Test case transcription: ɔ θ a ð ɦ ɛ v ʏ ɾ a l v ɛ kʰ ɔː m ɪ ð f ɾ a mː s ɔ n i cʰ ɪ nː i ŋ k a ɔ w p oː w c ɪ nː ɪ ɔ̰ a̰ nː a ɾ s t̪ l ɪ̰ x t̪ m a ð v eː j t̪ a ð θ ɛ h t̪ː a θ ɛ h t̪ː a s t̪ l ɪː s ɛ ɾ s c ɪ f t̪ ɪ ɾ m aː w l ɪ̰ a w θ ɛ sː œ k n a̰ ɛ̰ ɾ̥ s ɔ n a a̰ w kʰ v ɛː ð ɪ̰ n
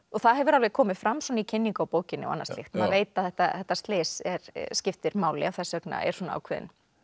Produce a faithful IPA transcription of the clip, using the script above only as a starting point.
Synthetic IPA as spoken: ɔ θ a ð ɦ ɛ v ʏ ɾ a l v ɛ kʰ ɔː m ɪ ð f ɾ a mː s ɔ n i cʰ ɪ nː i ŋ k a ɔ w p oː w c ɪ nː ɪ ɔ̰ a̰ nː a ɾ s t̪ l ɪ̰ x t̪ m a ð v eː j t̪ a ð θ ɛ h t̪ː a θ ɛ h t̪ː a s t̪ l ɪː s ɛ ɾ s c ɪ f t̪ ɪ ɾ m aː w l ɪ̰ a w θ ɛ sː œ k n a̰ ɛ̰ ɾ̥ s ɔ n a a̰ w kʰ v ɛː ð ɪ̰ n